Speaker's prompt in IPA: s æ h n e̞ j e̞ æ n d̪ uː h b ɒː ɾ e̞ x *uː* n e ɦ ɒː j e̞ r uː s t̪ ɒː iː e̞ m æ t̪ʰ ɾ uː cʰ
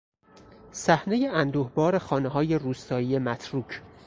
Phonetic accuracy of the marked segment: incorrect: ɒː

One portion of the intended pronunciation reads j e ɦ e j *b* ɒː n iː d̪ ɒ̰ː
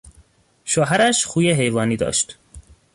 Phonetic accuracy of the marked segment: incorrect: v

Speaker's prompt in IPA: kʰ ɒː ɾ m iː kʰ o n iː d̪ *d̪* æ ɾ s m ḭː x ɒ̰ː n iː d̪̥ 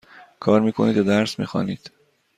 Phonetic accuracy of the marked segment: correct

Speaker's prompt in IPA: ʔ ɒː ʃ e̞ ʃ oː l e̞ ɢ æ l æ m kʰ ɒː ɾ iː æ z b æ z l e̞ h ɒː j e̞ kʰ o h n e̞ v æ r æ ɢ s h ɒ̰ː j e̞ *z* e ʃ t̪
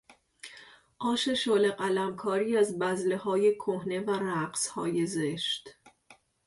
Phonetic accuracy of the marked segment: correct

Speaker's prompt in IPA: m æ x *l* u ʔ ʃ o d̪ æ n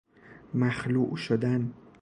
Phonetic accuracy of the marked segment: correct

